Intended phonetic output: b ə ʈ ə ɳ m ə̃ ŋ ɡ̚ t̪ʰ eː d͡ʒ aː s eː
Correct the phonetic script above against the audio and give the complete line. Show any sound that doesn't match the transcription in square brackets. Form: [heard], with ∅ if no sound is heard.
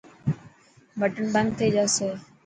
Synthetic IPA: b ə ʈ ə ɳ [b] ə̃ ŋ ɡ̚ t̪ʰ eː d͡ʒ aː s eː